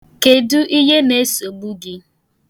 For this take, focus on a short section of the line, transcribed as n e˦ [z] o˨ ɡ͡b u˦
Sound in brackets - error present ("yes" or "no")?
yes